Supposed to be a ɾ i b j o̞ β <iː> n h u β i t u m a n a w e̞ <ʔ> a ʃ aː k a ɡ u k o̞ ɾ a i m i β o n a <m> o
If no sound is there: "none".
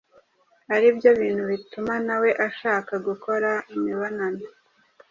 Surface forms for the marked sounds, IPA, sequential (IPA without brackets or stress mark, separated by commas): iː, ʔ, n